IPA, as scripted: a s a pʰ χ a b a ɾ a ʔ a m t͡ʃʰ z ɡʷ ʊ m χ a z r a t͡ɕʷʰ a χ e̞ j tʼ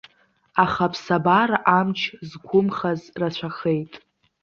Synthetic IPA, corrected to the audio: a χ a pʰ s a b a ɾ a ʔ a m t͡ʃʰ z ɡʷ ʊ m χ a z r a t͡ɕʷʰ a χ e̞ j tʼ